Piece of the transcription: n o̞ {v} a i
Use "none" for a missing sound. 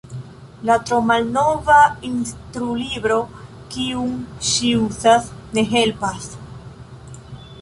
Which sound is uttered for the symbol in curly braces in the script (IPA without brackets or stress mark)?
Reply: v